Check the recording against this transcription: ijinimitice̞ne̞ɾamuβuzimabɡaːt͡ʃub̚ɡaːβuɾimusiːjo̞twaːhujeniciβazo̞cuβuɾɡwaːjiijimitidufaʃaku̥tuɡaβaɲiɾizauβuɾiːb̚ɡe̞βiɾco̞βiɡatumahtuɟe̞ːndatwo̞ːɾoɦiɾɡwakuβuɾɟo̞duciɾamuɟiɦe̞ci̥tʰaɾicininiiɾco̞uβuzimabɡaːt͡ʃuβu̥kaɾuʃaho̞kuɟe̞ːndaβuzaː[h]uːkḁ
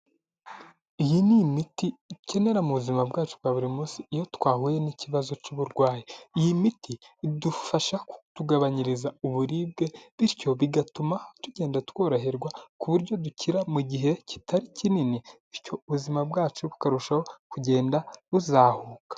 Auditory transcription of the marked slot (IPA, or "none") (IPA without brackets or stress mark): h